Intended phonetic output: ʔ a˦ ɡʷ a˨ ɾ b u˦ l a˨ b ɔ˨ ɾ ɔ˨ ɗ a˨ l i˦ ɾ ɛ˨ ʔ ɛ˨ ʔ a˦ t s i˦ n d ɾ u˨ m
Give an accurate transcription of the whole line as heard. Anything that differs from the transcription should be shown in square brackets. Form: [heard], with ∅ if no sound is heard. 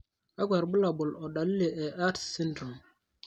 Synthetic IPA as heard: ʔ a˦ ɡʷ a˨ ɾ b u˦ l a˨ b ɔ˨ [l] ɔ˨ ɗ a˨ l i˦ [l] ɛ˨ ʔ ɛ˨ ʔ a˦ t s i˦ n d ɾ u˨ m